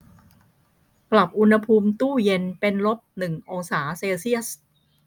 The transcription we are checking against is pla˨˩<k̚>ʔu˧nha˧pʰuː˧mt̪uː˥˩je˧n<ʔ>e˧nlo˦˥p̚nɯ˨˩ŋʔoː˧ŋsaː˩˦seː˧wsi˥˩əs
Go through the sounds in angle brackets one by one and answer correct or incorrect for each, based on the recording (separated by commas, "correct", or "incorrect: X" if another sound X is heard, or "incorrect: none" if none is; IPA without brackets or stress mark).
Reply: incorrect: p̚, incorrect: p